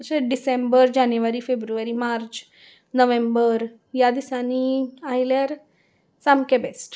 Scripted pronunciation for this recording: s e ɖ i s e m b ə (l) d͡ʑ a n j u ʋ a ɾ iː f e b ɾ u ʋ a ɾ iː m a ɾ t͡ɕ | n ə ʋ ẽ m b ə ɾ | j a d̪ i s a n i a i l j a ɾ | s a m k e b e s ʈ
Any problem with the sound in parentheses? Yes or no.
yes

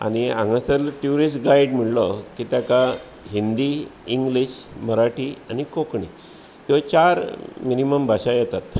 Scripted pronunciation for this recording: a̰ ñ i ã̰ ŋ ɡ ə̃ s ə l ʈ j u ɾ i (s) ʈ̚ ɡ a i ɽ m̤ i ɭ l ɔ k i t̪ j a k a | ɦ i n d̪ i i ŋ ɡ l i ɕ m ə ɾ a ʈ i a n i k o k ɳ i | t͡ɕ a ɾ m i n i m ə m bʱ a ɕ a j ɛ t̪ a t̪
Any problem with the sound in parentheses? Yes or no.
no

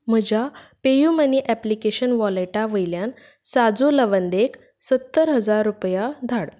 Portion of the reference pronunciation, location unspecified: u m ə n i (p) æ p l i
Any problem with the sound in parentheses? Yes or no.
yes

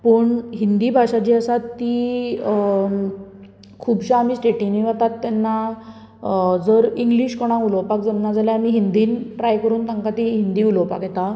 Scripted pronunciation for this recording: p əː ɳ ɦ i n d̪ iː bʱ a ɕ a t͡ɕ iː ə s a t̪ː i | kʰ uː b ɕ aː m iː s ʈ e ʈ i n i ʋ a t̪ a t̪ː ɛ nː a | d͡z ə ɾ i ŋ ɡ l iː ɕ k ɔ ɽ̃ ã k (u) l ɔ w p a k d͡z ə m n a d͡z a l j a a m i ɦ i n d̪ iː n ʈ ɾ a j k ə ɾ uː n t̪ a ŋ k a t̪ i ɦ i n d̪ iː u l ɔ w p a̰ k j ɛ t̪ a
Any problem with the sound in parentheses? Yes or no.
no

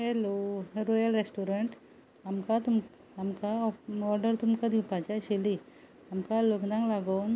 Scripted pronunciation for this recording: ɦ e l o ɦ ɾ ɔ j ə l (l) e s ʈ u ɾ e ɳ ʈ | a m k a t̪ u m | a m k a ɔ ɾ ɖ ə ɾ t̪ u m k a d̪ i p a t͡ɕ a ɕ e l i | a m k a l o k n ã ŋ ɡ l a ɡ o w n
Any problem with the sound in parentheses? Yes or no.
yes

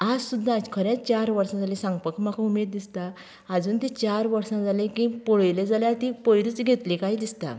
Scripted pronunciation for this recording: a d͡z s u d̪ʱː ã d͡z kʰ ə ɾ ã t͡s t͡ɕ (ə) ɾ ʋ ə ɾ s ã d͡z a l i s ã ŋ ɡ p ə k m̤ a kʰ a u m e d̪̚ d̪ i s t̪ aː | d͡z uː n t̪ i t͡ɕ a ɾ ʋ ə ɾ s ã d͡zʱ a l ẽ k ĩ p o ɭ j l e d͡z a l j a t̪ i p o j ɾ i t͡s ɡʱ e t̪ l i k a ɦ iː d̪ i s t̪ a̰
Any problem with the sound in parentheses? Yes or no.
yes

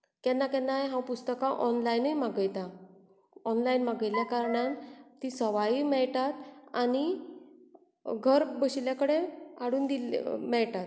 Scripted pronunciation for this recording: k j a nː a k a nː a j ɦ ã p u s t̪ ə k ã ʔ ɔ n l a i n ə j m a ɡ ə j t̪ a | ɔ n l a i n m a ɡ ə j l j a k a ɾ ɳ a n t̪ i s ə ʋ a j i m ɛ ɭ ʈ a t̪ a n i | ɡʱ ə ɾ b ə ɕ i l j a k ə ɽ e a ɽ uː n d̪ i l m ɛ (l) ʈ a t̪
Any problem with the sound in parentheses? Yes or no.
yes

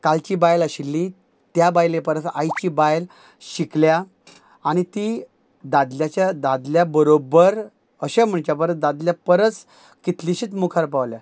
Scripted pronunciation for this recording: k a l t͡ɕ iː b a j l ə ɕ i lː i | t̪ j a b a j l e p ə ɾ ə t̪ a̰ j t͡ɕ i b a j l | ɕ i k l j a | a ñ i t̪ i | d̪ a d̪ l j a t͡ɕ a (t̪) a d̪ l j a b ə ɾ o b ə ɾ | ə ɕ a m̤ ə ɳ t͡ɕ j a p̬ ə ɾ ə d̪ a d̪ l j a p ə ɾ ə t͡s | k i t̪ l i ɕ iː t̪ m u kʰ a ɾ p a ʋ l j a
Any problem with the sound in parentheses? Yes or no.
yes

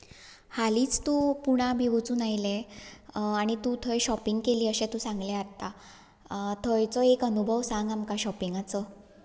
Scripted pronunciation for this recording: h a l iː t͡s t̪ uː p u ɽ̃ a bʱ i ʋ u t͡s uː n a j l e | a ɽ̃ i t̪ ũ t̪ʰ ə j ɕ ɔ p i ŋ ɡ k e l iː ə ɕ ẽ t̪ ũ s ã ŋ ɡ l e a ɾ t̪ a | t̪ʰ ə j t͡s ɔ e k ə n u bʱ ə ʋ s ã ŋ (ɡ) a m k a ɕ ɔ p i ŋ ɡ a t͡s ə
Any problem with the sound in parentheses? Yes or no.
no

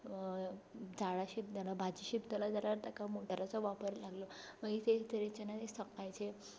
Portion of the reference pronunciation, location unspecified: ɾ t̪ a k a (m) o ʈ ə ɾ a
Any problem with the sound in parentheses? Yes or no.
no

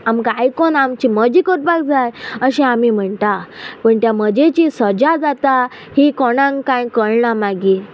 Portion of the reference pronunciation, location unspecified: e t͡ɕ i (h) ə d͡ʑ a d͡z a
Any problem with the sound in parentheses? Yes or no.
yes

